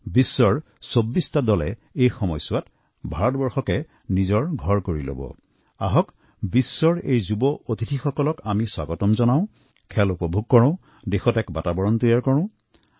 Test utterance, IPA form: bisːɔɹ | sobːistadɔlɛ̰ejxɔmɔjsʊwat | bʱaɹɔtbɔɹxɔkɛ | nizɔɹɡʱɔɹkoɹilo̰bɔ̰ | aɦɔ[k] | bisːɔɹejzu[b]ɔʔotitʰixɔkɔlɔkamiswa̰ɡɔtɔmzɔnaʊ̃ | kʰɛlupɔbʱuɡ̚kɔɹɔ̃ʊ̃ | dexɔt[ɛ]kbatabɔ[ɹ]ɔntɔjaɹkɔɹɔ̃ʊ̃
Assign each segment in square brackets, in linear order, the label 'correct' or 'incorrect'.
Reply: correct, correct, correct, correct

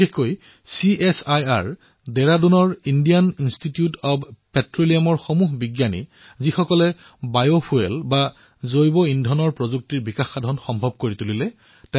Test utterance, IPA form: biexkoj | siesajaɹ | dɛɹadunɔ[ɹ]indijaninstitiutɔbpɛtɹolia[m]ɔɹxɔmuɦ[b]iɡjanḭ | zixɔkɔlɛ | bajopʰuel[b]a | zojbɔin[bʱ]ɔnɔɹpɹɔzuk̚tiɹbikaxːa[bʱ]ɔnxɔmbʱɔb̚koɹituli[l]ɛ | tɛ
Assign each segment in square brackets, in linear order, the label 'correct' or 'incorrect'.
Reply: correct, correct, correct, correct, incorrect, incorrect, correct

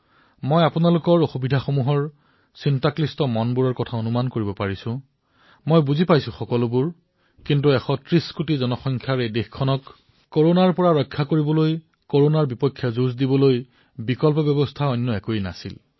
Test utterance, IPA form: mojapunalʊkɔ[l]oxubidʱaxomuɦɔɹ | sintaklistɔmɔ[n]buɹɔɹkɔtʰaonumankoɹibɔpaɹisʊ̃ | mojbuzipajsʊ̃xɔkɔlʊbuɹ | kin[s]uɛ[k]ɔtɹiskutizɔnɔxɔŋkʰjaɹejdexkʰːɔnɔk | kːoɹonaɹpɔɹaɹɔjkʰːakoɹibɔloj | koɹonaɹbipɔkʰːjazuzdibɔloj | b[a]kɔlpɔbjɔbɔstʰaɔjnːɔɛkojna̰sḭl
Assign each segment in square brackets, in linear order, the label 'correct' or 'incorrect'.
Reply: incorrect, correct, incorrect, incorrect, incorrect

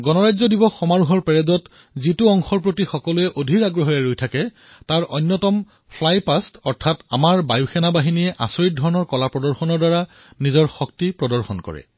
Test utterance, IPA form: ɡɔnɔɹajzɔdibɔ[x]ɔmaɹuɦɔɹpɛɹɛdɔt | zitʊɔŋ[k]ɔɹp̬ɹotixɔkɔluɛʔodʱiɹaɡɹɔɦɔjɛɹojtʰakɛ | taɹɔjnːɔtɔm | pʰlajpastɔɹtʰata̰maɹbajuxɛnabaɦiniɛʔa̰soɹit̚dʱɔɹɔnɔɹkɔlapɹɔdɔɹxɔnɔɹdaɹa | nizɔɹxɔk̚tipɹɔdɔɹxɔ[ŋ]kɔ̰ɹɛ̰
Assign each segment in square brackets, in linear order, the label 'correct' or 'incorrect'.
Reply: correct, incorrect, incorrect

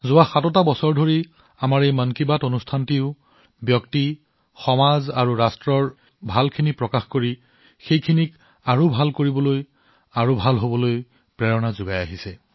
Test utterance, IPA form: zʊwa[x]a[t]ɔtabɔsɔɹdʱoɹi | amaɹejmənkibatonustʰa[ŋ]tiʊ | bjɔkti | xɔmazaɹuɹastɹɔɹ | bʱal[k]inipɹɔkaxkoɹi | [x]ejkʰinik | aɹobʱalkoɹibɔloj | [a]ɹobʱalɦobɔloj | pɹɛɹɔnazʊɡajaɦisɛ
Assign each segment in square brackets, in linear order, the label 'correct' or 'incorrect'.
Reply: correct, correct, incorrect, incorrect, correct, correct

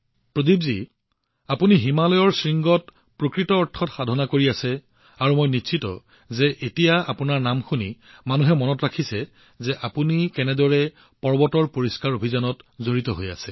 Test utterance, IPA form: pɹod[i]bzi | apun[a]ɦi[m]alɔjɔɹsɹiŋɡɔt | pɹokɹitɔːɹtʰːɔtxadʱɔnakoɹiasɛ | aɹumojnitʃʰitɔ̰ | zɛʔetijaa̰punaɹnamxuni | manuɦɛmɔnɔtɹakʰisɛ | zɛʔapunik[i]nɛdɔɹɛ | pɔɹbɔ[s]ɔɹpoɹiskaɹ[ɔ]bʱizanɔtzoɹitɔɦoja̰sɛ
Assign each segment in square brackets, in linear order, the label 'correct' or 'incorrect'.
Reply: correct, incorrect, correct, incorrect, incorrect, incorrect

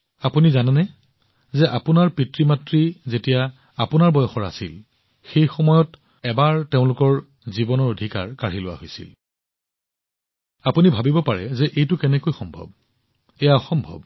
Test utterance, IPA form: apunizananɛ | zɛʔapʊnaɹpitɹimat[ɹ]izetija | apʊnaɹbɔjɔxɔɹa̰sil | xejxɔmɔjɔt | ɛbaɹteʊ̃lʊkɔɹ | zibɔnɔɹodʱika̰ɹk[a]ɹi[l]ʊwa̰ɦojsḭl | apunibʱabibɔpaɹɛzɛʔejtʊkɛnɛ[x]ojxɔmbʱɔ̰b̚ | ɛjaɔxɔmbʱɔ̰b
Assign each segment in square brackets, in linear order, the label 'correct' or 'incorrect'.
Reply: correct, correct, correct, incorrect

